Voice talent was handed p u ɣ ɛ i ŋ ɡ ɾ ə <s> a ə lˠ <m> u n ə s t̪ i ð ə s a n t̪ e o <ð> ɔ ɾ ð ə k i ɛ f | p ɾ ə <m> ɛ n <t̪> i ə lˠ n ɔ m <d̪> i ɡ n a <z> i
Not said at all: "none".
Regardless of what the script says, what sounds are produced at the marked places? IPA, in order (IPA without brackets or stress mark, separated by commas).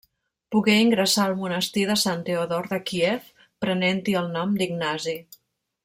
s, m, ð, n, t̪, d̪, z